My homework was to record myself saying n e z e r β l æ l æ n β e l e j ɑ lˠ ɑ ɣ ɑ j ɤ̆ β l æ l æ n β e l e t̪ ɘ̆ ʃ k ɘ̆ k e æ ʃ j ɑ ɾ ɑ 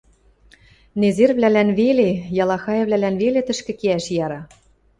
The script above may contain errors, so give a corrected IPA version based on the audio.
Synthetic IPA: n e z e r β l æ l æ n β e l e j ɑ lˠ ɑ x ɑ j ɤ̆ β l æ l æ n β e l e t̪ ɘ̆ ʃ k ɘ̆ k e æ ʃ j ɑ ɾ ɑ